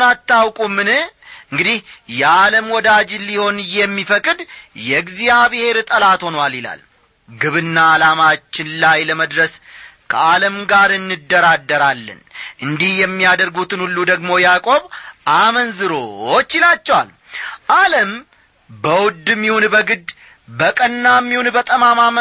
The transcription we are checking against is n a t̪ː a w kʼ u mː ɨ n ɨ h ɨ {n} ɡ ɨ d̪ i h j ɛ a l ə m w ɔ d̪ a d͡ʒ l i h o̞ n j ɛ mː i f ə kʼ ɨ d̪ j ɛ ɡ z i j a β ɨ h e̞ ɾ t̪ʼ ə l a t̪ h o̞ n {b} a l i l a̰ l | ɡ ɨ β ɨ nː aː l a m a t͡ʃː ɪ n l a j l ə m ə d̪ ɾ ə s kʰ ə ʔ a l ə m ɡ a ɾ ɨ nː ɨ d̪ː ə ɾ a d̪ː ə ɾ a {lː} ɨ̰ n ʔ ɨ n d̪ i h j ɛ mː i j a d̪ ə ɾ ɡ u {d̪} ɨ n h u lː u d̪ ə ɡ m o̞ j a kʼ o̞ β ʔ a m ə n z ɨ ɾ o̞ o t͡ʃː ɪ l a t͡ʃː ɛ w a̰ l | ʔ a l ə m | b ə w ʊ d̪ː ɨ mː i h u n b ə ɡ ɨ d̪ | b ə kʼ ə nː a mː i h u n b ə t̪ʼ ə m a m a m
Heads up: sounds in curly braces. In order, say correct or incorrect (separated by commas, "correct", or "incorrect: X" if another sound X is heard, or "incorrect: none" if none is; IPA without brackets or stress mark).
incorrect: ŋ, incorrect: w, correct, incorrect: t̪